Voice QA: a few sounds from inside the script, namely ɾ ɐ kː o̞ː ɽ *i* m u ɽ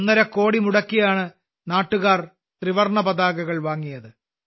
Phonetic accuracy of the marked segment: correct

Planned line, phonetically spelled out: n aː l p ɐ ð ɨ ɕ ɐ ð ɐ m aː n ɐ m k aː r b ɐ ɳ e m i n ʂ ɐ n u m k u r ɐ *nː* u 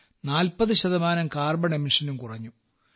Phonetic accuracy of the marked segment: incorrect: ɲː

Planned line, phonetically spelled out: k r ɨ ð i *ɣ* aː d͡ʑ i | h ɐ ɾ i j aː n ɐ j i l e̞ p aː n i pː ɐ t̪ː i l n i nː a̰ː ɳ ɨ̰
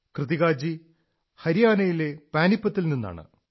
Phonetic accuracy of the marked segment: correct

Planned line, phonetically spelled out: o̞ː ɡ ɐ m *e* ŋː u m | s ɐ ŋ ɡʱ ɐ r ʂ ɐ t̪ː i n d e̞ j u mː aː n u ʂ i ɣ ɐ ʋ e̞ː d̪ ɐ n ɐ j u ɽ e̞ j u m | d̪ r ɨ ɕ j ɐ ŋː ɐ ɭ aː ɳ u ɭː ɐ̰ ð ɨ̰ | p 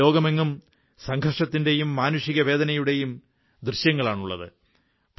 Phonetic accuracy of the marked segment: correct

